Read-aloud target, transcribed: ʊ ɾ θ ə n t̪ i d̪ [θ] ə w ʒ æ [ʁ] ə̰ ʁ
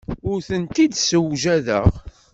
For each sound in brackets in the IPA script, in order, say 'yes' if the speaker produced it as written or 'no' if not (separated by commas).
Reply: no, no